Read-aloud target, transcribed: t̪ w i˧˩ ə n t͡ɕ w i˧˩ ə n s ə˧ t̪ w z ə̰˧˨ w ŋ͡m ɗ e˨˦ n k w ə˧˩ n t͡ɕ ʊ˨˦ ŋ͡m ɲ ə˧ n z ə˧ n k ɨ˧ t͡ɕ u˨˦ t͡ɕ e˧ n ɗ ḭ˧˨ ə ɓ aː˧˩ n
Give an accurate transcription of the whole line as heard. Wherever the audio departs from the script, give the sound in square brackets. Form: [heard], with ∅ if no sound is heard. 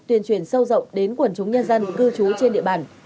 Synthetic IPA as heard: t̪ w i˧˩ ə n t͡ɕ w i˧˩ ə n s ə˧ [∅] w z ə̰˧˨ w ŋ͡m ɗ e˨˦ n k w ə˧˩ n t͡ɕ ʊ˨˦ ŋ͡m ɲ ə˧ n z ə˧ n k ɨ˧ t͡ɕ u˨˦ t͡ɕ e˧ n ɗ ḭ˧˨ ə ɓ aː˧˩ n